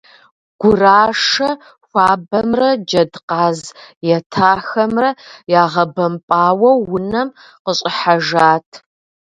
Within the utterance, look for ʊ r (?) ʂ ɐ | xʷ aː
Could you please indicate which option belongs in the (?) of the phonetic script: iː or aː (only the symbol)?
aː